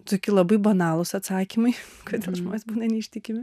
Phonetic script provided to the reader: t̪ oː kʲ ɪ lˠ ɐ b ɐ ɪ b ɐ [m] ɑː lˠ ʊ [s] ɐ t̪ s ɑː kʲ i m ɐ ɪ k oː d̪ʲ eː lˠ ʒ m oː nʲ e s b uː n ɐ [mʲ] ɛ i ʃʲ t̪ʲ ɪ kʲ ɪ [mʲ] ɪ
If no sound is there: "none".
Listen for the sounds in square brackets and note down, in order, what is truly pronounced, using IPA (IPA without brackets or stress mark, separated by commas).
n, s, nʲ, mʲ